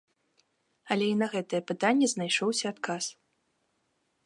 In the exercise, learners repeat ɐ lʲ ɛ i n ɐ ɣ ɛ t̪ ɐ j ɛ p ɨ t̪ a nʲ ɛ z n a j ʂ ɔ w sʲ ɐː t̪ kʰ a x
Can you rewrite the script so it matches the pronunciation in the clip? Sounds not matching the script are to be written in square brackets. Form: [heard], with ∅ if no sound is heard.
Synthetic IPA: ɐ lʲ ɛ i n ɐ ɣ ɛ t̪ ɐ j ɛ p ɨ t̪ a [nʲː] ɛ z n a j ʂ ɔ w sʲ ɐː t̪ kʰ a [s]

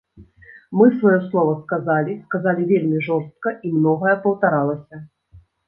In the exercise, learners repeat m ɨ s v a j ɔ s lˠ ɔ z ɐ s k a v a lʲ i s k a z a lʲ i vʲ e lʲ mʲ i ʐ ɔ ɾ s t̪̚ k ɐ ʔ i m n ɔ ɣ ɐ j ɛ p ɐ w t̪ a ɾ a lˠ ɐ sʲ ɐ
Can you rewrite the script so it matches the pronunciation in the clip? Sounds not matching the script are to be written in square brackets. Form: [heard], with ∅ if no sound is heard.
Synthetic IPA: m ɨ s v a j ɔ s lˠ ɔ [v] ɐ s k a [z] a lʲ i s k a z a lʲ i vʲ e lʲ mʲ i ʐ ɔ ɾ s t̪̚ k ɐ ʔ i m n ɔ ɣ ɐ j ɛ p ɐ w t̪ a ɾ a lˠ ɐ sʲ ɐ

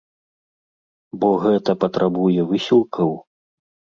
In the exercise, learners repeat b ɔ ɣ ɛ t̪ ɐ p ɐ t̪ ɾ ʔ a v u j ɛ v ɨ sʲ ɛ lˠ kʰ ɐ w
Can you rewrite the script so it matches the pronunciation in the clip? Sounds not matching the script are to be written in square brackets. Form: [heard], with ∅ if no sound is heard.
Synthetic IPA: b ɔ ɣ ɛ t̪ ɐ p ɐ t̪ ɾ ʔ a [b] u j ɛ v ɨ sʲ [i] lˠ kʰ ɐ w

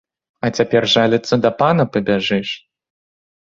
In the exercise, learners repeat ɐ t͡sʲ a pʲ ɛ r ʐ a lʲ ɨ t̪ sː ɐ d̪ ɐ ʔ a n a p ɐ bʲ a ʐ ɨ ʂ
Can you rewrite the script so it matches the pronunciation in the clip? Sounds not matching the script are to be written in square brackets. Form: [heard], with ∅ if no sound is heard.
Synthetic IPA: ɐ t͡sʲ a pʲ ɛ r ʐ a lʲ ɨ t̪ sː ɐ d̪ ɐ [p] a n [ɐ] p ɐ bʲ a ʐ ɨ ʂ

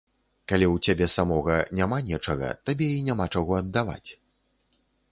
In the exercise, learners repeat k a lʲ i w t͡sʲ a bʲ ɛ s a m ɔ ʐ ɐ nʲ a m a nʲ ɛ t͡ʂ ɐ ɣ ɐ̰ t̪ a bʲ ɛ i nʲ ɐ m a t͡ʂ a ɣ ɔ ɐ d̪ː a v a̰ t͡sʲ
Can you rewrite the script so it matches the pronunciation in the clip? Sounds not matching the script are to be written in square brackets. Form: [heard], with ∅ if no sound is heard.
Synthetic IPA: k a lʲ i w t͡sʲ a bʲ ɛ s a m ɔ [ɣ] ɐ nʲ a m a nʲ ɛ t͡ʂ ɐ ɣ ɐ̰ t̪ a bʲ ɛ i nʲ [a] m a t͡ʂ a ɣ ɔ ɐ d̪ː a v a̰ t͡sʲ

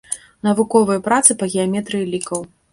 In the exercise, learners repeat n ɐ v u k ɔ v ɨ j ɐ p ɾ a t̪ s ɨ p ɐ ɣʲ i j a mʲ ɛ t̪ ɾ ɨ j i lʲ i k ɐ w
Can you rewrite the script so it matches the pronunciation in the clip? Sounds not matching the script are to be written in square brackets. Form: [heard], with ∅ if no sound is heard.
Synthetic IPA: n ɐ v u k ɔ v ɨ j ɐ p ɾ a t̪ s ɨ p ɐ ɣʲ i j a mʲ ɛ t̪ ɾ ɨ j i lʲ i k ɐ w

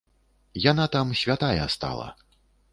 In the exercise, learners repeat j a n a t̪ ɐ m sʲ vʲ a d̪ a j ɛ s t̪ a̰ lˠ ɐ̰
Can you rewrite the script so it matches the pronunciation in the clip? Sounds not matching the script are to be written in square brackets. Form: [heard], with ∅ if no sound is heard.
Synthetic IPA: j a n a t̪ [a] m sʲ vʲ a [t̪] a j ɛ s t̪ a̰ lˠ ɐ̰

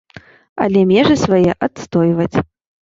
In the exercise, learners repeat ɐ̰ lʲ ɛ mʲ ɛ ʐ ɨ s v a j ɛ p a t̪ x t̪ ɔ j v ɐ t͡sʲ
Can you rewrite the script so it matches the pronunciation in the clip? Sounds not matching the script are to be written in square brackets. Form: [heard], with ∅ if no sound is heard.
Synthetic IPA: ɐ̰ lʲ ɛ mʲ ɛ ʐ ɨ s v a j ɛ [ʔ] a t̪ [s] t̪ ɔ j v ɐ t͡sʲ

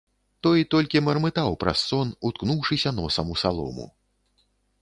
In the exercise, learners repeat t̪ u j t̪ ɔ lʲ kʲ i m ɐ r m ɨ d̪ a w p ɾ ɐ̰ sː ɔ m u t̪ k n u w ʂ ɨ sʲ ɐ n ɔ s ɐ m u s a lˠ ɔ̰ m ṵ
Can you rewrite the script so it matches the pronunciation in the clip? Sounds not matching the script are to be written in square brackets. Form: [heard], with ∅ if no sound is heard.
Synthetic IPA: t̪ [ɔ] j t̪ ɔ lʲ kʲ i m ɐ r m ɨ [t̪] a w p ɾ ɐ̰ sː ɔ [n] u t̪ k n u w ʂ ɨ sʲ ɐ n ɔ s ɐ m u s a lˠ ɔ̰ m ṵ

